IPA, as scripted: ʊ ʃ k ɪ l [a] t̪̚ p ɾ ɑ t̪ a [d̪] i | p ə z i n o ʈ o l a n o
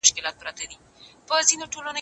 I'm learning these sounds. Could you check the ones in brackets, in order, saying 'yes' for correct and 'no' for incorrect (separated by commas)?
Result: no, yes